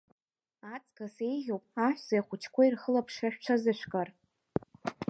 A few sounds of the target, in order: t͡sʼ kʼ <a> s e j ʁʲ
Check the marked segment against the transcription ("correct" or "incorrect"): correct